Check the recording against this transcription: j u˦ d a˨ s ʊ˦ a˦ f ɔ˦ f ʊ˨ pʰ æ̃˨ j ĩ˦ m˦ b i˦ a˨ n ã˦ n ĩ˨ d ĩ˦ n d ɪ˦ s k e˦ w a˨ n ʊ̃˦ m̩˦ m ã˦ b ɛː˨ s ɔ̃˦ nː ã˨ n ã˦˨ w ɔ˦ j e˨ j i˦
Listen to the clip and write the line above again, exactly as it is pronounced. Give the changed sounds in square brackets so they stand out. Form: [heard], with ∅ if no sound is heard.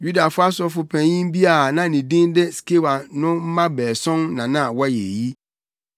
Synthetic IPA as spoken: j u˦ d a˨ [f] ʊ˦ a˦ [s] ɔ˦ f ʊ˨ pʰ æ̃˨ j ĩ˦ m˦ b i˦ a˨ n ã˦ n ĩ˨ d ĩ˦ n d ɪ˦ s k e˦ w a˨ n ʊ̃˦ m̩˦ m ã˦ b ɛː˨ s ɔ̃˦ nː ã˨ n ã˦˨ w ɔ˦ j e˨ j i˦